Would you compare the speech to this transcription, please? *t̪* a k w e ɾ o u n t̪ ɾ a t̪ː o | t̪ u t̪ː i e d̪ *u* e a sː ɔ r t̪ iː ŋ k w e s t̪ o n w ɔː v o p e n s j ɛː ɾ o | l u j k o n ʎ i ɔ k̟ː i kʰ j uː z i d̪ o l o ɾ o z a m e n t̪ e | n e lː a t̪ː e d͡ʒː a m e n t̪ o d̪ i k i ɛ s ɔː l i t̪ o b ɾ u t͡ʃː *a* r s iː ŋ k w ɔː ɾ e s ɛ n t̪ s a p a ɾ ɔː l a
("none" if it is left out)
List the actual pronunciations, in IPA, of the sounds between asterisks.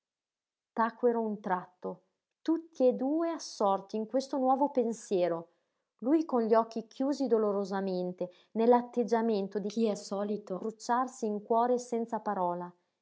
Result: t̪, uː, a

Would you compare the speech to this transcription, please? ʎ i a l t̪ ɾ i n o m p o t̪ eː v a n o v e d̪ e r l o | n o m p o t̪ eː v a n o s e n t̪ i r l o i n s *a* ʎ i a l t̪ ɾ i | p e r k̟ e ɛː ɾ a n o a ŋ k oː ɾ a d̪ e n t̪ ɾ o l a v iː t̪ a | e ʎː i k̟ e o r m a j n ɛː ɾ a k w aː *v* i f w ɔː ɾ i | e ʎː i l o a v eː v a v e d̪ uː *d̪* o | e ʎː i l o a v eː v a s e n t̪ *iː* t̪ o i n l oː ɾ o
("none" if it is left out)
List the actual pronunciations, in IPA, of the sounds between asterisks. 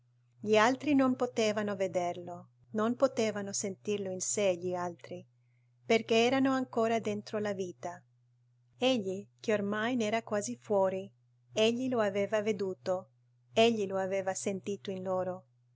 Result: e, z, t̪, iː

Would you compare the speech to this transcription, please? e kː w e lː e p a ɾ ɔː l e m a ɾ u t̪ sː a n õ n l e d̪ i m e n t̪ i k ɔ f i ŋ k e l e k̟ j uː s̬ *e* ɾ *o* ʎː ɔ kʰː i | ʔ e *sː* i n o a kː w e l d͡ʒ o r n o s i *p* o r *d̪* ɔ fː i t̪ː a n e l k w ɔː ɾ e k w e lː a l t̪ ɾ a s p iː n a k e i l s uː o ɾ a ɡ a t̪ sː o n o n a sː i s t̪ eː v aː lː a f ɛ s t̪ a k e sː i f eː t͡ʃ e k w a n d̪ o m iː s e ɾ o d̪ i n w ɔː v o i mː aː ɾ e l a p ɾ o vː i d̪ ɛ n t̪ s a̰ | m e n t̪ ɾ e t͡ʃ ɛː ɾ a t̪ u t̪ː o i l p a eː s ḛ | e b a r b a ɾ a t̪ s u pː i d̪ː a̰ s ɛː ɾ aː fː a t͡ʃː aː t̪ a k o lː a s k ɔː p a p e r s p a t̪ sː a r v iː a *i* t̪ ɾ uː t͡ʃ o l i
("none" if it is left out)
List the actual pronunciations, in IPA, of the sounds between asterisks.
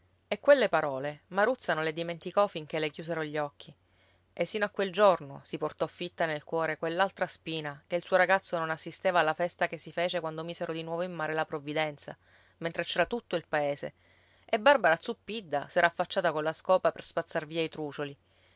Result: e, o, sː, p, t̪, i

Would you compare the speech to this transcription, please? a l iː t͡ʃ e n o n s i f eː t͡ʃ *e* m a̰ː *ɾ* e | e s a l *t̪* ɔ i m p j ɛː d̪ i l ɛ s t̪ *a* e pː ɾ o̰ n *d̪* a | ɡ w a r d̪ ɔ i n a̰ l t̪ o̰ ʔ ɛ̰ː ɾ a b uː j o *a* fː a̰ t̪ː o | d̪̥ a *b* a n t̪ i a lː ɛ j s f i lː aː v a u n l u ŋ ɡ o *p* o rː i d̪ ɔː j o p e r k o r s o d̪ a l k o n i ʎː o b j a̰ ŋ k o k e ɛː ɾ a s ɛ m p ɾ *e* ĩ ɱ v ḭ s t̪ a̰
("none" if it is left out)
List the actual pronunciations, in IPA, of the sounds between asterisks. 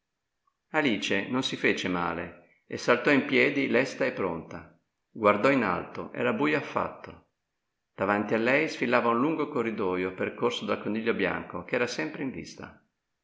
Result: e, l, t̪, a, t̪, a, v, k, e

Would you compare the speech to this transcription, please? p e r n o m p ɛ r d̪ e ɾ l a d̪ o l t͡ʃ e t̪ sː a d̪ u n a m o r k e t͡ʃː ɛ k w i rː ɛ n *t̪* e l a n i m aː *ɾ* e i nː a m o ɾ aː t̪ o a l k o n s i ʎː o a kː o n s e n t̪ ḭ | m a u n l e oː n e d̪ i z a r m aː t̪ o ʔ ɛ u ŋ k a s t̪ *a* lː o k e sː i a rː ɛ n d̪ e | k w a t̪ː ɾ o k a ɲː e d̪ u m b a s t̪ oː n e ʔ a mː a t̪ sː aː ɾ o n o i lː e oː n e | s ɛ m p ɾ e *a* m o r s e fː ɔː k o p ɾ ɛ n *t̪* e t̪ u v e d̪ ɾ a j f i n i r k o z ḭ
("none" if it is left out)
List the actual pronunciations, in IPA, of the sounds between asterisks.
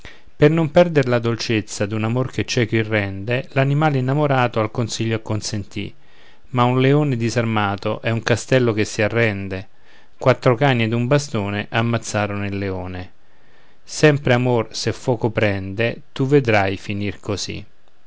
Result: d̪, l, ɛ, a, d̪

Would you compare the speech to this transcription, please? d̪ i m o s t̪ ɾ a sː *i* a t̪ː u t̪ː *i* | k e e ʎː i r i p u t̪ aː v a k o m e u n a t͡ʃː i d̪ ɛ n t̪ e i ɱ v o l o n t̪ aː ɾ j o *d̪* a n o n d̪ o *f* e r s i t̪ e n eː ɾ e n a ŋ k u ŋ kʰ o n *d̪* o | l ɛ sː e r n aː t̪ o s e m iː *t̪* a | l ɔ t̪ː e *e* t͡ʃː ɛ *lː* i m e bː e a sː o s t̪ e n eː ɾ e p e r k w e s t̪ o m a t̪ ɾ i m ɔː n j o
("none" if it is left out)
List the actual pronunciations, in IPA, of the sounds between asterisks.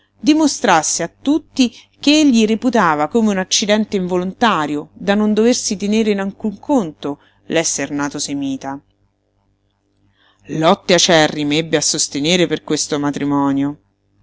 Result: e, i, d̪, v, t̪, t̪, a, rː

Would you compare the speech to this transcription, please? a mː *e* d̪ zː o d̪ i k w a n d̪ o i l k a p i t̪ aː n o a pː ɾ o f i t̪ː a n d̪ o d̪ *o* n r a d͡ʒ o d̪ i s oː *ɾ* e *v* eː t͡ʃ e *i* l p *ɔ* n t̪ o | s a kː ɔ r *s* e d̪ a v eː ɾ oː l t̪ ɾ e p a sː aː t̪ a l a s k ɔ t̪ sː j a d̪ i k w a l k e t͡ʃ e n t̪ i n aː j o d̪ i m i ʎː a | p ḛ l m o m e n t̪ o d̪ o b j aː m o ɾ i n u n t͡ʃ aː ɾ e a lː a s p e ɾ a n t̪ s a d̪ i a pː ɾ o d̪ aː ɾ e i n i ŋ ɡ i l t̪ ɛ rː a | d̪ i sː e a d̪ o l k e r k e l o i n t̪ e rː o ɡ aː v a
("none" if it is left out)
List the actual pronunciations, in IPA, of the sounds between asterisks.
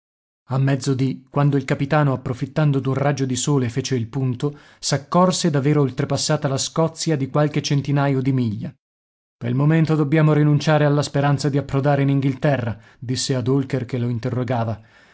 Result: ɛ, u, l, f, i, u, s

